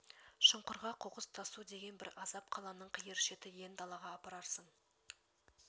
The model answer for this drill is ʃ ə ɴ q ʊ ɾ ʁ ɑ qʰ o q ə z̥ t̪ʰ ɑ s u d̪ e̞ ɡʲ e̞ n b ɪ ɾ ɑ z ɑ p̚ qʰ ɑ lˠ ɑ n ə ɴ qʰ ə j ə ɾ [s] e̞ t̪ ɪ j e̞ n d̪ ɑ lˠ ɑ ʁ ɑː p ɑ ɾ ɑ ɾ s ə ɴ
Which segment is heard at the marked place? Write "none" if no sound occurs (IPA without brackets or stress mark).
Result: ʃ